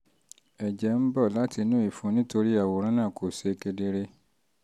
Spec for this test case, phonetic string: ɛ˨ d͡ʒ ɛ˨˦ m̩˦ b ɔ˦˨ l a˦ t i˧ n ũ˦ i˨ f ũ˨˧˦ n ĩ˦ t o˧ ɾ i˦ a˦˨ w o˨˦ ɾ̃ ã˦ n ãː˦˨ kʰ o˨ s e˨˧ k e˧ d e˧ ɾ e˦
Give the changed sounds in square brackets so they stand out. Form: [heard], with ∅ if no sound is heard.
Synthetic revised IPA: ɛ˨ d͡ʒ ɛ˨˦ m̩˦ b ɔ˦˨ l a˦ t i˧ n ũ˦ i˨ f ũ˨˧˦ n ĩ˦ t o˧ ɾ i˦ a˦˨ w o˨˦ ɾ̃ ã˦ n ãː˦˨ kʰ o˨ s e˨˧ k e˧ d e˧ ɾ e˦